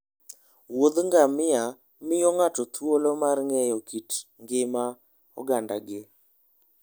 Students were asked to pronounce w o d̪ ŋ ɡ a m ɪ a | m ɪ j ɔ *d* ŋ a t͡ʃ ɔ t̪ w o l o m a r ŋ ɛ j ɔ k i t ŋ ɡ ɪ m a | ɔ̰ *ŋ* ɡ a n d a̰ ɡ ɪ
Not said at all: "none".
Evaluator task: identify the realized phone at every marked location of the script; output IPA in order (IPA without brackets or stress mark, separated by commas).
none, none